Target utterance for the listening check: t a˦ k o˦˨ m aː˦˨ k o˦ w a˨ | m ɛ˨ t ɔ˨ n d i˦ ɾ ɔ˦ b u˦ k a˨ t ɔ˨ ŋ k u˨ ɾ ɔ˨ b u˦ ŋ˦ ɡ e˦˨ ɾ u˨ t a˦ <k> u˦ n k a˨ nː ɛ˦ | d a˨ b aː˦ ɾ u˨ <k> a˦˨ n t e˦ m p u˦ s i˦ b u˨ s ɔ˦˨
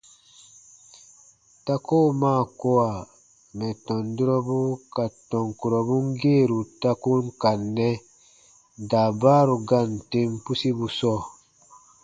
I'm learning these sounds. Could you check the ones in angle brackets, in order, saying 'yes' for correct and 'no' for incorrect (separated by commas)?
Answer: yes, no